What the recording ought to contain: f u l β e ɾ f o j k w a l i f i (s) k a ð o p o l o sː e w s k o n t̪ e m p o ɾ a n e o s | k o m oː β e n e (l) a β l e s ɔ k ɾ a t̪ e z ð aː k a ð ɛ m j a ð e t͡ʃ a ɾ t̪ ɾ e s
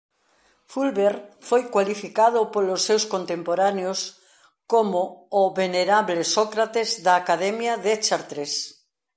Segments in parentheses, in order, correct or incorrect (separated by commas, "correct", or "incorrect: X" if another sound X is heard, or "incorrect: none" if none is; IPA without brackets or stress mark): incorrect: none, incorrect: ɾ